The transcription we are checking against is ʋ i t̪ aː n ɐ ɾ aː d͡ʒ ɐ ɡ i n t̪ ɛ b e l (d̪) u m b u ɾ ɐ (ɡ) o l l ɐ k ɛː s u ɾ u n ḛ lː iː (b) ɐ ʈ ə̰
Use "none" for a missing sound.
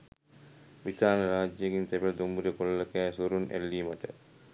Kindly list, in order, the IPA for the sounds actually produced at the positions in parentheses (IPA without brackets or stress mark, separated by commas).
d̪, k, m